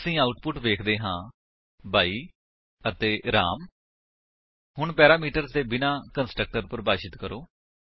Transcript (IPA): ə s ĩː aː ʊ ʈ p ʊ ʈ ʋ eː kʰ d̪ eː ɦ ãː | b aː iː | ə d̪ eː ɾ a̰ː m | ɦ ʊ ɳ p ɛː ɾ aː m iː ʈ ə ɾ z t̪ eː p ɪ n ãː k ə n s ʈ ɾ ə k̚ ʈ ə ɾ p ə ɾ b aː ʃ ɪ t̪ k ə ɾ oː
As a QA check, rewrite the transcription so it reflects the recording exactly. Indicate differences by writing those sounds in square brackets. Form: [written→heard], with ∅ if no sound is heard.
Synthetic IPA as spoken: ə s ĩː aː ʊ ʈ p ʊ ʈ ʋ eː kʰ d̪ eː ɦ ãː | b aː iː | ə [d̪→t̪] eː ɾ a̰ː m | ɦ ʊ ɳ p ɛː ɾ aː m iː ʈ ə ɾ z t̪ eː [p→b] ɪ n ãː k ə n s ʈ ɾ ə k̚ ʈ ə ɾ p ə ɾ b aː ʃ ɪ t̪ k ə ɾ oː